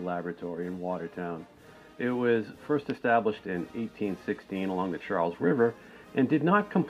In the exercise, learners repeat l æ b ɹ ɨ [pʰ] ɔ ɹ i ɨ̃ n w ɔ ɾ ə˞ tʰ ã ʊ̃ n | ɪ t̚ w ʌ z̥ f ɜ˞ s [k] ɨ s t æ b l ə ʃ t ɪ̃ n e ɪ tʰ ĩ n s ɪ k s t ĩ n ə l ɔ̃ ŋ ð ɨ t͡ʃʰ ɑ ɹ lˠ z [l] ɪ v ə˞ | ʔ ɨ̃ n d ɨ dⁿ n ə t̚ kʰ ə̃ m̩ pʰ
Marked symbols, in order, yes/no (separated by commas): no, no, no